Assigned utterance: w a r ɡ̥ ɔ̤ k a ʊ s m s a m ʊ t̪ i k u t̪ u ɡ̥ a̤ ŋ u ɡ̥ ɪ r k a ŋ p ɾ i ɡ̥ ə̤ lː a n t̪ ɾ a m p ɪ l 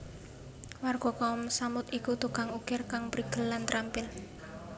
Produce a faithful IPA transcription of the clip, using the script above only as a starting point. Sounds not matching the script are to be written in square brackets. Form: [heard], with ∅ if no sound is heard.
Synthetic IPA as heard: w a r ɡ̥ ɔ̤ k a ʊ [∅] m s a m ʊ t̪ i k u t̪ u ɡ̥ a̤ ŋ u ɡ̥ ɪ r k a ŋ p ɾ i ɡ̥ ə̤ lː a n t̪ ɾ a m p ɪ l

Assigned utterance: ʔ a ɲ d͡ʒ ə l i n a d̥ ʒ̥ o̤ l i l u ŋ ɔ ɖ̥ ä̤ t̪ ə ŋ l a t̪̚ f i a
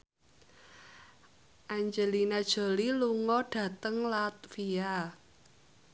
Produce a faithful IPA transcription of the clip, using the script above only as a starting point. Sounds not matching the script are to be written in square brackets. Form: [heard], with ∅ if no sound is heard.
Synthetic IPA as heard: ʔ a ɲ d͡ʒ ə l i n a d̥ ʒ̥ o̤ l i l u ŋ ɔ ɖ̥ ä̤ t̪ ə ŋ l a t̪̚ f i a

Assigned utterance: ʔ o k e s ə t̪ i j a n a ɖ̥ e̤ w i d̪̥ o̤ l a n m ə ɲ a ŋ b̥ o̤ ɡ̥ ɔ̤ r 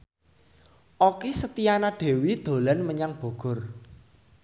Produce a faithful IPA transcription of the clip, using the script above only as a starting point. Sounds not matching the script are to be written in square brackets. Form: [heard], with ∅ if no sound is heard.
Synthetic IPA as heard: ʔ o k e s ə t̪ i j a n a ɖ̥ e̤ w i d̪̥ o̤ l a n m ə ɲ a ŋ b̥ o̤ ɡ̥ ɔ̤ r

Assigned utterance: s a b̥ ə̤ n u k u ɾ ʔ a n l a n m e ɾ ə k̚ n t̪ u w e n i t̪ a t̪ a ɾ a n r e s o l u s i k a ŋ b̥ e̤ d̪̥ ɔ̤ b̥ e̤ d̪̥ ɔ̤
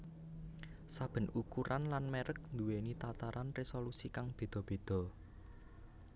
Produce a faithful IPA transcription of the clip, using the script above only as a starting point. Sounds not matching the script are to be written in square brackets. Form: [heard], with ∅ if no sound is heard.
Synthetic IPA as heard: s a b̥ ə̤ n u k u ɾ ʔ a n l a n m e ɾ ə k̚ n [d̪] u w e n i t̪ a t̪ a ɾ a n r e s o l u s i k a ŋ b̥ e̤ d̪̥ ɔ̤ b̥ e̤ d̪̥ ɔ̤

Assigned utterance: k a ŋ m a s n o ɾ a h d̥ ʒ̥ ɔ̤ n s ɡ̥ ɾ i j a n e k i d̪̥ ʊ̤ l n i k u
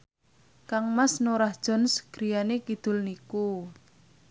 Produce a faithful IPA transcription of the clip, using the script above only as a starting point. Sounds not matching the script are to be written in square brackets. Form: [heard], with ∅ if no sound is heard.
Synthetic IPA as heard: k a ŋ m a s n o ɾ a h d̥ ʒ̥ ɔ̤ n s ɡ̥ ɾ i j a n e k i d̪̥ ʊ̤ l n i k u

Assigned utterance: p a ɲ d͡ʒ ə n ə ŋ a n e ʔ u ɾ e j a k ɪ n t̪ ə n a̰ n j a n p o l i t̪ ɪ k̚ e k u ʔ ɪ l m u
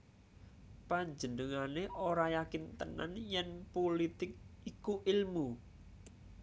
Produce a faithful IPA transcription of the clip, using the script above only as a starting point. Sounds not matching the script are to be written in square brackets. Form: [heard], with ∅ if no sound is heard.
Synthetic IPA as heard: p a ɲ d͡ʒ ə n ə ŋ a n e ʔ [o] ɾ [a] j a k ɪ n t̪ ə n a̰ n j [ɛ] n p o l i t̪ ɪ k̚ [i] k u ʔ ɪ l m u

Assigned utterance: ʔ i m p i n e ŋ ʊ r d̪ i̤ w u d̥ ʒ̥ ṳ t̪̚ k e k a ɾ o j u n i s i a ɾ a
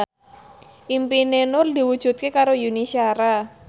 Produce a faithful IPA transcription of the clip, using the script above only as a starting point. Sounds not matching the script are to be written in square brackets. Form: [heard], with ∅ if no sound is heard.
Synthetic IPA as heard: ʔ i m p i n e [n] ʊ r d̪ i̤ w u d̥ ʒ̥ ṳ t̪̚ k e k a ɾ o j u n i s i a ɾ a

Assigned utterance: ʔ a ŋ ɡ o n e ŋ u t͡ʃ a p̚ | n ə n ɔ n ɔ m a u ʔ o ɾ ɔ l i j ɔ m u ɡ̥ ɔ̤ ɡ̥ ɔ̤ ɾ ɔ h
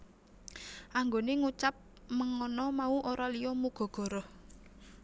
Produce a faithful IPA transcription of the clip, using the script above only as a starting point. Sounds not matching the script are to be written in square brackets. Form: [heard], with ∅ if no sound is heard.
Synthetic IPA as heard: ʔ a ŋ ɡ o n e ŋ u t͡ʃ a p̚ | [m] ə [ŋ] ɔ n ɔ m a u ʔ o ɾ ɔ l i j ɔ m u ɡ̥ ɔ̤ ɡ̥ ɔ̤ ɾ ɔ h

